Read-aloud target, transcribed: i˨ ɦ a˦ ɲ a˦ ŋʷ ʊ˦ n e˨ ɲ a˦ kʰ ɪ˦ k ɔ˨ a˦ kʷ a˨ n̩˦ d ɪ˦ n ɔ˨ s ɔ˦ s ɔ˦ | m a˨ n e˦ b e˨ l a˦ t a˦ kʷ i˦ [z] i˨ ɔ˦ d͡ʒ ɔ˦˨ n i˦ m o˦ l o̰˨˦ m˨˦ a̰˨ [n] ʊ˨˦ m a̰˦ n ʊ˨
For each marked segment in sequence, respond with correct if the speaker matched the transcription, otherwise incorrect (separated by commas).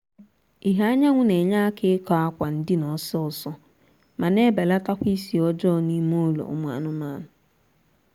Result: incorrect, correct